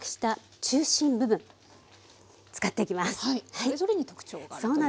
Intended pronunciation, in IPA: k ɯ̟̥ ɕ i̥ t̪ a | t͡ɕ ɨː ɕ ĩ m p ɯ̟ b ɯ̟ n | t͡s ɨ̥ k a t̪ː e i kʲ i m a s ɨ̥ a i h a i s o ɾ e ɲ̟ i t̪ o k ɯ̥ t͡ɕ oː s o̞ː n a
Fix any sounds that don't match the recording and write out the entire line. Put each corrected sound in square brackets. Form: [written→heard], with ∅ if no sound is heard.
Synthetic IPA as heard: k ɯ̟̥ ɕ i̥ t̪ a | t͡ɕ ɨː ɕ ĩ m [p→b] ɯ̟ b [ɯ̟→ɯ̟̃] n | t͡s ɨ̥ k a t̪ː e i kʲ i m a s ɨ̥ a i h a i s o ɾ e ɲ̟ i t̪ o k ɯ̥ t͡ɕ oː s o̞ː n a

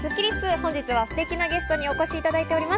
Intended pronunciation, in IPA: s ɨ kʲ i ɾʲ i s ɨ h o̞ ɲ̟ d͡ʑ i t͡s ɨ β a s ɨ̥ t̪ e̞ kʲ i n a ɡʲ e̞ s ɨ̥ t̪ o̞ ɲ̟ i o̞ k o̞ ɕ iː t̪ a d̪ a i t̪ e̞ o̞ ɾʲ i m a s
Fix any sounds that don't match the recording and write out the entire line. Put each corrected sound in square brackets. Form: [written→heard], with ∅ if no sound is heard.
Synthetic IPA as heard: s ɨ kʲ i ɾʲ i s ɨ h [o̞→õ̞] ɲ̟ d͡ʑ i t͡s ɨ β a s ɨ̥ t̪ e̞ kʲ i n a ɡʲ e̞ s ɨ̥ t̪ o̞ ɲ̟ i o̞ k o̞ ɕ iː t̪ a d̪ a i t̪ e̞ o̞ ɾʲ i m a s

